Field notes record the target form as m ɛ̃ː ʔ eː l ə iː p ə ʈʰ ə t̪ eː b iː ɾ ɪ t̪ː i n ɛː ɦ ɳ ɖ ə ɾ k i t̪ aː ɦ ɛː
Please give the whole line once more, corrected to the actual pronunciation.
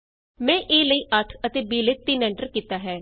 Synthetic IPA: m ɛ̃ː ʔ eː l ə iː ʔ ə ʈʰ ə t̪ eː b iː l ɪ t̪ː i n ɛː ɳ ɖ ə ɾ k iː t̪ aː ɦ ɛː

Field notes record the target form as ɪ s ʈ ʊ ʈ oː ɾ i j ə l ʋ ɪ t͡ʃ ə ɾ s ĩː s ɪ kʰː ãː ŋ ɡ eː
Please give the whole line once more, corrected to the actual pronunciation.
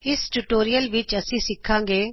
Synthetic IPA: ɪ s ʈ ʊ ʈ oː ɾ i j ə l ʋ ɪ t͡ʃ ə s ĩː s ɪ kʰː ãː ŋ ɡ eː

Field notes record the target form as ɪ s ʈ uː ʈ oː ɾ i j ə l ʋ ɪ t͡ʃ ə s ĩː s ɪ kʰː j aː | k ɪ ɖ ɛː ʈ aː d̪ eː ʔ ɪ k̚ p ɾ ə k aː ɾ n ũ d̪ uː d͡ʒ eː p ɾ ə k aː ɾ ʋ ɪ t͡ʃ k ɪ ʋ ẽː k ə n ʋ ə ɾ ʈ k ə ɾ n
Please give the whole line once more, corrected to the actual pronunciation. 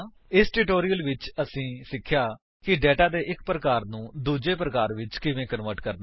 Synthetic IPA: ɪ s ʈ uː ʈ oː ɾ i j ə l ʋ ɪ t͡ʃ ə s ĩː s ɪ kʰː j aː | k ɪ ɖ ɛː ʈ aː d̪ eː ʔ ɪ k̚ p ɾ ə k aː ɾ n ũː d̪ uː d͡ʒ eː p ɾ ə k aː ɾ ʋ ɪ t͡ʃ k ɪ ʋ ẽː k ə n ʋ ə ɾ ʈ k ə ɾ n

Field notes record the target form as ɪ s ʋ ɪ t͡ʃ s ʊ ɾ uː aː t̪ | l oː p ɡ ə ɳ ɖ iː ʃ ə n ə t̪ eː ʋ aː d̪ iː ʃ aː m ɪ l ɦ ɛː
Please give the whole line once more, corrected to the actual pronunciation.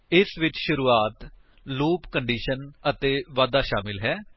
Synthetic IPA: ɪ s ʋ ɪ t͡ʃ ʃ ʊ ɾ uː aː t̪ | l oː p k ə ɳ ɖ iː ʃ ə n ə t̪ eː ʋ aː d̪ aː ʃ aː m ɪ l ɦ ɛː

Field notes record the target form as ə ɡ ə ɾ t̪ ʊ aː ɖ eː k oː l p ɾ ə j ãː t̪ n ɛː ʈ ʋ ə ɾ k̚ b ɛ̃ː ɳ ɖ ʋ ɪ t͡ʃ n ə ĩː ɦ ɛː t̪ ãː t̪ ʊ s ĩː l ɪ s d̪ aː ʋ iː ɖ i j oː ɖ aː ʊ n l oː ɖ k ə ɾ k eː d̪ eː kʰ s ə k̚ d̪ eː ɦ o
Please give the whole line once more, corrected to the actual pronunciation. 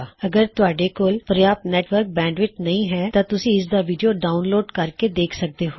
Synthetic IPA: ə ɡ ə ɾ t̪ ʊ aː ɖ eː k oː l p ɾ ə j aː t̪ n ɛː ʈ ʋ ə ɾ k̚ b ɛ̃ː ɳ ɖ ʋ ɪ t͡ʃ n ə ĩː ɦ ɛː t̪ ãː t̪ ʊ s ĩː ɪ s d̪ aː ʋ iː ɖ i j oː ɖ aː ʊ n l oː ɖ k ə ɾ k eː d̪ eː kʰ s ə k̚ d̪ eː ɦ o

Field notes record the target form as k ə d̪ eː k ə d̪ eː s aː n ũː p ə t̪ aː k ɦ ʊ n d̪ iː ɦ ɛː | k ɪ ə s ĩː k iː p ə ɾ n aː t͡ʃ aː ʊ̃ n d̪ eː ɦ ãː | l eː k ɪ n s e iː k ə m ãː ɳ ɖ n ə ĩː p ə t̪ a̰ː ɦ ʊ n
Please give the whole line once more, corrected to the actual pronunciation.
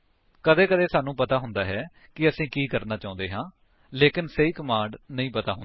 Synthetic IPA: k ə d̪ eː k ə d̪ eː s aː n ũː p ə t̪ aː ɦ ʊ n d̪ aː ɦ ɛː | k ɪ ə s ĩː k iː k ə ɾ n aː t͡ʃ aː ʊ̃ n d̪ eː ɦ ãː | l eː k ɪ n s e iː k ə m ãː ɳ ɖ n ə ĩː p ə t̪ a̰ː ɦ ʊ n

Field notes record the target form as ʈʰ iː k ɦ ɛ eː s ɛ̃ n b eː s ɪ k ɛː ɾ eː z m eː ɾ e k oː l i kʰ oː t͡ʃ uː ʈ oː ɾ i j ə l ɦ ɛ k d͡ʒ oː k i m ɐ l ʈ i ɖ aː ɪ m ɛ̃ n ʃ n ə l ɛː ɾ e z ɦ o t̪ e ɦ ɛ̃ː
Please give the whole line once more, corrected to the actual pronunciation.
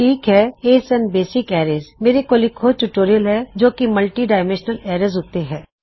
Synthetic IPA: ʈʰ iː k ɦ ɛ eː s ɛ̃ n b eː s ɪ k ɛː ɾ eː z m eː ɾ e k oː l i kʰ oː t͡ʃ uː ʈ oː ɾ i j ə l ɦ ɛ d͡ʒ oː k i m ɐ l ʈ i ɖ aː ɪ m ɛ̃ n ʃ n ə l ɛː ɾ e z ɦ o t̪ e ɦ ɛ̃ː

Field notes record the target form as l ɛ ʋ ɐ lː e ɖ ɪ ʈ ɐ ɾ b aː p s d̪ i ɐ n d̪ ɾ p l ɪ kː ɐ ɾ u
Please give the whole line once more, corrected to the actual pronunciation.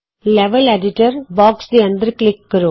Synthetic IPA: l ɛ ʋ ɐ l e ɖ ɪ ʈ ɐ ɾ b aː k s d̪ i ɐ n d̪ ɾ k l ɪ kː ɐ ɾ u

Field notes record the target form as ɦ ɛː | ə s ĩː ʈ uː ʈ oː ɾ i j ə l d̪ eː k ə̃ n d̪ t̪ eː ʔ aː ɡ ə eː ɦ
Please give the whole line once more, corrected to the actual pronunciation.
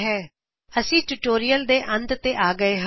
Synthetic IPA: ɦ ɛː | ə s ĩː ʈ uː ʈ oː ɾ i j ə l d̪ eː ʔ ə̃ n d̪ t̪ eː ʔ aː ɡ ə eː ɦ

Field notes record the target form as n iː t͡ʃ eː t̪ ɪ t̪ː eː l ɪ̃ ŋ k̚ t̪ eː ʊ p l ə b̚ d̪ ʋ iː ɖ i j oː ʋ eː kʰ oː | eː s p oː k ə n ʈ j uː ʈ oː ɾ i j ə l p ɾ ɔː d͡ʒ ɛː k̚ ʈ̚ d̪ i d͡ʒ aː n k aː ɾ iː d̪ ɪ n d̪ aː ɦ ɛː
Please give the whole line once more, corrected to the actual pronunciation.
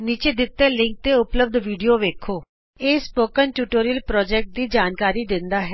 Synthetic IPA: n iː t͡ʃ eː d̪ ɪ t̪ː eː l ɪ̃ ŋ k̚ t̪ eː ʊ p l ə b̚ d̪ ʋ iː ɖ i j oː ʋ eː kʰ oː | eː s p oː k ə n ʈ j uː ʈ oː ɾ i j ə l p ɾ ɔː d͡ʒ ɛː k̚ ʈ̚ d̪ iː d͡ʒ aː n k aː ɾ iː d̪ ɪ n d̪ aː ɦ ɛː

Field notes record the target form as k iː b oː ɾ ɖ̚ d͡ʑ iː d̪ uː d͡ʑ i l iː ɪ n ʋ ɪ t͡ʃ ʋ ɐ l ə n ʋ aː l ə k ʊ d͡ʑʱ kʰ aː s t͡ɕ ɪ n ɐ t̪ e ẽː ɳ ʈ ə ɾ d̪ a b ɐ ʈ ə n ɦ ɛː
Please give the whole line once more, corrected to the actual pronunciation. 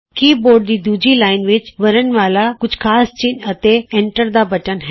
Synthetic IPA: k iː b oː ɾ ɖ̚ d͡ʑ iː d̪ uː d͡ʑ i l aː ɪ n ʋ ɪ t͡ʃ ʋ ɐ ɾ ə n ʋ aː l a k ʊ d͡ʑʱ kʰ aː s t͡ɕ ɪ n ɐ t̪ e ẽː ɳ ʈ ə ɾ d̪ a b ɐ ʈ ə n ɦ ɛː

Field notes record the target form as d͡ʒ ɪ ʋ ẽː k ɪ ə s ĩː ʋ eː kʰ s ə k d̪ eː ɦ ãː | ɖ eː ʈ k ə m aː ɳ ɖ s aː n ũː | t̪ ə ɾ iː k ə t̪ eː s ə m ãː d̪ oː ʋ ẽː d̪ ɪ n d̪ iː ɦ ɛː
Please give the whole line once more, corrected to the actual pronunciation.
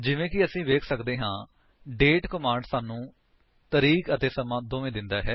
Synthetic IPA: d͡ʒ ɪ ʋ ẽː k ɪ ə s ĩː ʋ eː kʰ s ə k d̪ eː ɦ ãː | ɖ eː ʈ k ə m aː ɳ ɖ s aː n ũː | t̪ ə ɾ iː k ə t̪ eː s ə m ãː d̪ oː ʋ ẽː d̪ ɪ n d̪ aː ɦ ɛː

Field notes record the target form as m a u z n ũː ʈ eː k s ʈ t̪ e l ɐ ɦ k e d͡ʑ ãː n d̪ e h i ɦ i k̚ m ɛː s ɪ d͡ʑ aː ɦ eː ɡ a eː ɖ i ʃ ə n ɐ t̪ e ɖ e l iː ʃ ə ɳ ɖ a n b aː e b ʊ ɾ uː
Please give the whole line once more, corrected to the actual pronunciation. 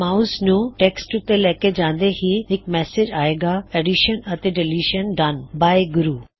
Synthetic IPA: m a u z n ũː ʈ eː k s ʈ t̪ e l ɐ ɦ k e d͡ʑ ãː n d̪ e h i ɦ ɪ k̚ m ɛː s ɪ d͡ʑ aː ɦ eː ɡ a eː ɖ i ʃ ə n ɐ t̪ e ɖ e l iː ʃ ə n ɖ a n b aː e ɡ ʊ ɾ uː

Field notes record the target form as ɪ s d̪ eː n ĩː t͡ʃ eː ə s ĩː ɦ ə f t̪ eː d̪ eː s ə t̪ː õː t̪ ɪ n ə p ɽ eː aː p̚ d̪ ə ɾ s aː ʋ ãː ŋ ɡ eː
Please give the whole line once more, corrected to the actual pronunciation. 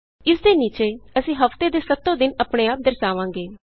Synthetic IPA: ɪ s d̪ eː n iː t͡ʃ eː ə s ĩː ɦ ə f t̪ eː d̪ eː s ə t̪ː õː d̪ ɪ n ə p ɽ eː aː p̚ d̪ ə ɾ s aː ʋ ãː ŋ ɡ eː

